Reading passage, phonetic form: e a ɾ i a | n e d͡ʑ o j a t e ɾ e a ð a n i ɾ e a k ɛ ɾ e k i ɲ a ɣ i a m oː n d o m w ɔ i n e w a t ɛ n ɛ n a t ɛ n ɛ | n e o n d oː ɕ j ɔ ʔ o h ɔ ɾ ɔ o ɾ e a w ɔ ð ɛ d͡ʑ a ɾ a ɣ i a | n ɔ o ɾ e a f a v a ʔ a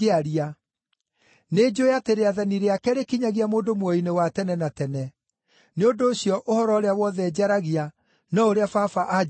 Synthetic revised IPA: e a ɾ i a | n e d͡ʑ o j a t e ɾ e a ð a n i ɾ e a k ɛ ɾ e k i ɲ a ɣ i a m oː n d o m w ɔ i n e w a t ɛ n ɛ n a t ɛ n ɛ | n e o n d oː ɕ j ɔ ʔ o h ɔ ɾ ɔ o ɾ e a w ɔ ð ɛ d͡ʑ a ɾ a ɣ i a | n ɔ o ɾ e a f a f a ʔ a